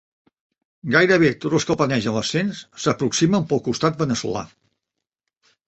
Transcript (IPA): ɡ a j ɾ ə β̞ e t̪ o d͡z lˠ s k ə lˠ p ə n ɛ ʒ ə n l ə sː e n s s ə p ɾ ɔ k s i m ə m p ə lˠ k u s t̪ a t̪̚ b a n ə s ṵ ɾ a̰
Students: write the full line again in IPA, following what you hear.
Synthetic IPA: ɡ a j ɾ ə β̞ e t̪ o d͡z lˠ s k ə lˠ p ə n ɛ ʒ ə n l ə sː e n s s ə p ɾ u k s i m ə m p ə lˠ k u s t̪ a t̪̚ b ə n ə s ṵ l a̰